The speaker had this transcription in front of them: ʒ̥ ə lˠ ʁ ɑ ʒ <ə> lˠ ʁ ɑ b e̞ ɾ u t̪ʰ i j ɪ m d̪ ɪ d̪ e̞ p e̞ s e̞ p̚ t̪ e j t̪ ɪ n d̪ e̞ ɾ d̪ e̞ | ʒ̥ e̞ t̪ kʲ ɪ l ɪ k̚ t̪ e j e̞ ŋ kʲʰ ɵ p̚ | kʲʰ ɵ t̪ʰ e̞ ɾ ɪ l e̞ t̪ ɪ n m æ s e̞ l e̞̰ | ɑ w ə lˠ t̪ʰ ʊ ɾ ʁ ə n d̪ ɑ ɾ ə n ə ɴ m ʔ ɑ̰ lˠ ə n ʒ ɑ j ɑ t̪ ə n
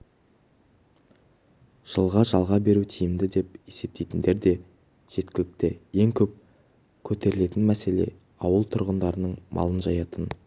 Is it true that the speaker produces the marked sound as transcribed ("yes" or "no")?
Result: no